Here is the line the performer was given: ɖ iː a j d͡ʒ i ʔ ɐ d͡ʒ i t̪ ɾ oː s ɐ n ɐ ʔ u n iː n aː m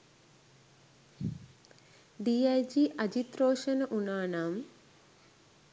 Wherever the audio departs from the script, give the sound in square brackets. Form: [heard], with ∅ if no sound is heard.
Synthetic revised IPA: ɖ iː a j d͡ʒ i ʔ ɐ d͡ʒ i t̪ ɾ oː [ʃ] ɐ n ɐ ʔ u n [aː] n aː m